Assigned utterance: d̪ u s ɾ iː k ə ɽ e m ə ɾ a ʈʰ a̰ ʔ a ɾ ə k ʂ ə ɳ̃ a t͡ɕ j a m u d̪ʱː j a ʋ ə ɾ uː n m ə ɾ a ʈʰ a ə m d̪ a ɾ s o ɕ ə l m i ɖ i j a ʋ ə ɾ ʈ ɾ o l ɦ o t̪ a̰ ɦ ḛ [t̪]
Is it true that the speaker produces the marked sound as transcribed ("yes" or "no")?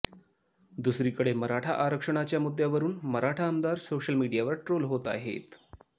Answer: yes